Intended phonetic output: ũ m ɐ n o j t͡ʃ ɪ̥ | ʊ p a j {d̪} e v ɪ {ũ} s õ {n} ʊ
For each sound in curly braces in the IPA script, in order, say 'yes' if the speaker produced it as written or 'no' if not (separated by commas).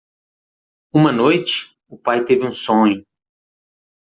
no, yes, no